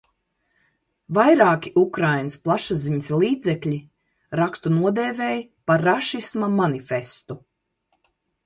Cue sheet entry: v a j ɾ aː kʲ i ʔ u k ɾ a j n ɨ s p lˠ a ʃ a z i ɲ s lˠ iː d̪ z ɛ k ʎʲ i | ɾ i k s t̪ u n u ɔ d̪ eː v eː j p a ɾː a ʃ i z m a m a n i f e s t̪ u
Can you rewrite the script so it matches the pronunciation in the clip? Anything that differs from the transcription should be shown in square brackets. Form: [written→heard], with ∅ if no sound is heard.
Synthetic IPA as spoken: v a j ɾ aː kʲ i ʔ u k ɾ a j n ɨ s p lˠ a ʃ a z i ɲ s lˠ iː d̪ z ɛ k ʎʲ i | ɾ [i→a] k s t̪ u n u ɔ d̪ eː v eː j p a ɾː a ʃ i [z→s] m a m a n i f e s t̪ u

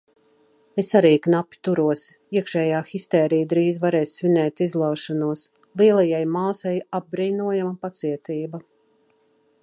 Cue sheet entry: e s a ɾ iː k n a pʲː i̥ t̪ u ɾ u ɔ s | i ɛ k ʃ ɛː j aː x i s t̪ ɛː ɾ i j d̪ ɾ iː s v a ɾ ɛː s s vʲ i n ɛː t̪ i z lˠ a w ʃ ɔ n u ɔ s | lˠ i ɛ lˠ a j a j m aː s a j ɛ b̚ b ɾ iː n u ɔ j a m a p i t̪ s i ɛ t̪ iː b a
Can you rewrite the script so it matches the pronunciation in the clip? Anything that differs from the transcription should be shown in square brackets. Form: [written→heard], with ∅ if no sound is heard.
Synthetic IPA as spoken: e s a ɾ iː k n a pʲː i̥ t̪ u ɾ u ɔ s | i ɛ k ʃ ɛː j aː x i s t̪ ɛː ɾ i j d̪ ɾ iː [s→z] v a ɾ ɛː s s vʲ i n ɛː t̪ i z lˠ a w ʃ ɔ n u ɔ s | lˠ i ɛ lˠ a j a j m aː s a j [ɛ→a] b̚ b ɾ iː n u ɔ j a m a p [i→a] t̪ s i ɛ t̪ iː b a

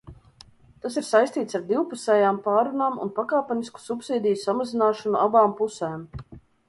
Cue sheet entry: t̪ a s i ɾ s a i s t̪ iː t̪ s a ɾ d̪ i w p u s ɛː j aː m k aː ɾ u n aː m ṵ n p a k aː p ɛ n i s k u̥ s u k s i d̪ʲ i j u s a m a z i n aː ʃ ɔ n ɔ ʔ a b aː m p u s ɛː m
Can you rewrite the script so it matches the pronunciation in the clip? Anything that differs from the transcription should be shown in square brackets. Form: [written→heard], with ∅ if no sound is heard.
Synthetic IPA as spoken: t̪ a s i ɾ s a [i→j] s t̪ iː t̪ s a ɾ d̪ i w p u s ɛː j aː m [k→p] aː ɾ u n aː m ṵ n p a k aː p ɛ n i s k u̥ s u [k→p] s [i→iː] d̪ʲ i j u s a m a z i n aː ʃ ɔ n [ɔ→u] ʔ a b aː m p u s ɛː m

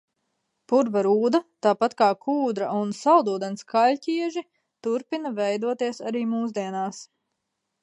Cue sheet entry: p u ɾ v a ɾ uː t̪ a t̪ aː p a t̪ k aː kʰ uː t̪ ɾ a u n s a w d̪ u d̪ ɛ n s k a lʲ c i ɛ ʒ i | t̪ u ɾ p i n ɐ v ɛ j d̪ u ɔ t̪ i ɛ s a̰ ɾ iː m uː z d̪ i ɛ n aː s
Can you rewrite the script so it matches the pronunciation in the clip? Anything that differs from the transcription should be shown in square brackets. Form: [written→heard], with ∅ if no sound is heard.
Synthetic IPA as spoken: p u ɾ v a ɾ uː [t̪→d̪] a t̪ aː p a t̪ k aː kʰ uː [t̪→d̪] ɾ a u n s a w d̪ [u→uː] d̪ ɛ n s k a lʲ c i ɛ ʒ i | t̪ u ɾ p i n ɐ v ɛ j d̪ u ɔ t̪ i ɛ s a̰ ɾ iː m uː z d̪ i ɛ n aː s

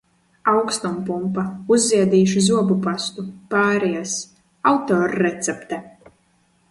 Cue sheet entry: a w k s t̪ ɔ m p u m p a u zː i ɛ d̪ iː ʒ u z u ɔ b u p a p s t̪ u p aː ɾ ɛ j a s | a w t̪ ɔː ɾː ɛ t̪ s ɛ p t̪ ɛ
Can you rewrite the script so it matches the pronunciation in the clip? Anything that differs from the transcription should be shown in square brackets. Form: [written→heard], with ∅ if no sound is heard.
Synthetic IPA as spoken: a w k s t̪ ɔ m p u m p a u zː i ɛ d̪ iː [ʒ→ʃ] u z u ɔ b u p a [p→∅] s t̪ u p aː ɾ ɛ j a s | a w t̪ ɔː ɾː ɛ t̪ s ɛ p t̪ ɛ

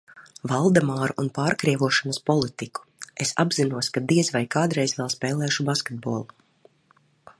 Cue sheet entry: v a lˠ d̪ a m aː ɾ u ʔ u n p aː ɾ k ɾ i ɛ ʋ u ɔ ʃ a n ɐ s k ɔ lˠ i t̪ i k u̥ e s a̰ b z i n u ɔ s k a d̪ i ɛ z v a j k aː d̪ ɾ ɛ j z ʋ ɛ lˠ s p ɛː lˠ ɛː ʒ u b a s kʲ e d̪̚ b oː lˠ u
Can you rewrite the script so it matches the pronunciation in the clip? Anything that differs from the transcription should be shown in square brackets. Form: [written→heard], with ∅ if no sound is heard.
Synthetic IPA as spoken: v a lˠ d̪ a m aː ɾ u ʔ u n p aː ɾ k ɾ i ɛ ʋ u ɔ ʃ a n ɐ s [k→p] ɔ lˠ i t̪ i k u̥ e s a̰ b z i n u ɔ s k a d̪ i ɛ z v a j k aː d̪ ɾ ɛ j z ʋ ɛ lˠ s p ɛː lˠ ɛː [ʒ→ʃ] u b a s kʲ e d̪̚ b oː lˠ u

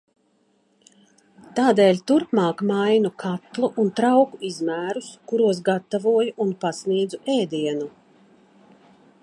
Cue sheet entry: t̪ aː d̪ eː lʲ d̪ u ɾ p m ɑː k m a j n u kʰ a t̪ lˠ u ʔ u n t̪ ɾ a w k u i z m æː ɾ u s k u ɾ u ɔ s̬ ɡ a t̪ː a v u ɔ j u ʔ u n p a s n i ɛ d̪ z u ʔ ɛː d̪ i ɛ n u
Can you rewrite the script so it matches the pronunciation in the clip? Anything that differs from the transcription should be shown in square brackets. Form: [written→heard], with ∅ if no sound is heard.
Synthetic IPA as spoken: t̪ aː d̪ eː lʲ [d̪→t̪] u ɾ p m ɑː k m a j n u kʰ a t̪ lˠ u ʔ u n t̪ ɾ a w k u i z m æː ɾ u s k u ɾ u ɔ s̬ ɡ a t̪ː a v u ɔ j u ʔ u n p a s n i ɛ d̪ z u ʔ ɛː d̪ i ɛ n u

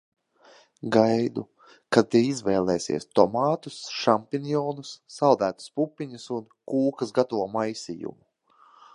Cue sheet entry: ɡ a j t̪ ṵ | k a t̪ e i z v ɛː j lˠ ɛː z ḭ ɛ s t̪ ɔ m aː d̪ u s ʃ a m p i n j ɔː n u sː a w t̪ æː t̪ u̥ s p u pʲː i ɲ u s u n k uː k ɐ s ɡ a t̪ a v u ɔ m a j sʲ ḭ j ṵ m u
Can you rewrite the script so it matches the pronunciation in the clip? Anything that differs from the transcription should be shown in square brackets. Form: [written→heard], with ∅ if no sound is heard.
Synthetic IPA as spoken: ɡ a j [t̪→d̪] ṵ | k a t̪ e i z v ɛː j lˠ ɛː [z→s] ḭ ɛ s t̪ ɔ m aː [d̪→t̪] u s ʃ a m p i n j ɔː n u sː a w [t̪→d̪] æː t̪ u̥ s p u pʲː i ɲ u s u n k uː k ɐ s ɡ a t̪ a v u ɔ m a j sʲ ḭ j ṵ m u

